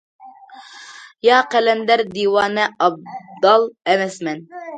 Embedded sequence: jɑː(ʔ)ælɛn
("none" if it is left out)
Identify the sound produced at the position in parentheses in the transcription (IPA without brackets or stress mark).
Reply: q